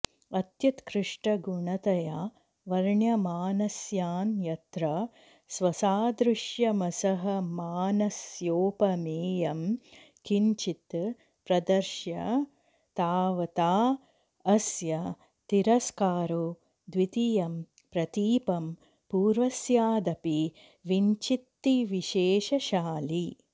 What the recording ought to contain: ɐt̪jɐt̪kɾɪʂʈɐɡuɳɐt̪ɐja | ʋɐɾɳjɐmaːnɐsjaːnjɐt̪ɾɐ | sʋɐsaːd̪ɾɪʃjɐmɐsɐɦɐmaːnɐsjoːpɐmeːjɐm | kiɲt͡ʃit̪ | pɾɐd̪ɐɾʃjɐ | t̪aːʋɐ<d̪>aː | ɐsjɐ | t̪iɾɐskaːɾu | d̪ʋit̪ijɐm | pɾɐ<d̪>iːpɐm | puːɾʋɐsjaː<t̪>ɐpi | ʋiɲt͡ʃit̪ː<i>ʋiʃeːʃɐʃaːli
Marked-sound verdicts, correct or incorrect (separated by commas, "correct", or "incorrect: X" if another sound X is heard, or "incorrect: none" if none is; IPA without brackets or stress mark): incorrect: t̪, incorrect: t̪, incorrect: d̪, correct